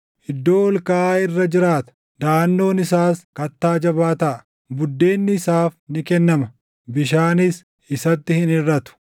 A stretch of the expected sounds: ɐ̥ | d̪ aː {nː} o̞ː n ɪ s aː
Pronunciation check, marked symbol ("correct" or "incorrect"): correct